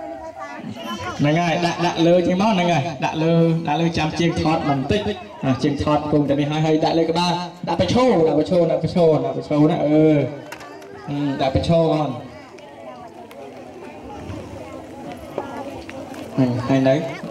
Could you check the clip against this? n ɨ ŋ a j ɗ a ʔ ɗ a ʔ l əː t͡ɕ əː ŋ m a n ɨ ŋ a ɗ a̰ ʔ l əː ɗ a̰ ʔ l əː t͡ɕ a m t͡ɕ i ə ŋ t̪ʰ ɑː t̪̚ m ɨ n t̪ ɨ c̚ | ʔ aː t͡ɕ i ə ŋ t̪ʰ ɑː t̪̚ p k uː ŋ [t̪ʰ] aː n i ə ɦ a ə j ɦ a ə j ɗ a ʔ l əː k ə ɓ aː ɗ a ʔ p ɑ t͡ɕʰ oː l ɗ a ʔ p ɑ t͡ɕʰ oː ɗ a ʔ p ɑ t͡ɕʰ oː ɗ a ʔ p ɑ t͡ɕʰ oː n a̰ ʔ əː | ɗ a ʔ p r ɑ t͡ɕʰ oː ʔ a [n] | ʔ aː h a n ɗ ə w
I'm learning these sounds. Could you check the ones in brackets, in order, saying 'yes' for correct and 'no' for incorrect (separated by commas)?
no, yes